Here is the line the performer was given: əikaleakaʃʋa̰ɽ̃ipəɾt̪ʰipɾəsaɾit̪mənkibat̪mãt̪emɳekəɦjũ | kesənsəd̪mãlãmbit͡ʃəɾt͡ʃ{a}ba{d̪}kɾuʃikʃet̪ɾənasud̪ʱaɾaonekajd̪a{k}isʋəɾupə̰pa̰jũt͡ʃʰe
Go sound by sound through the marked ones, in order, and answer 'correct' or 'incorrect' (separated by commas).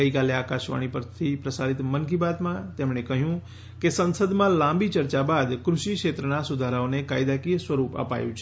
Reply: correct, correct, correct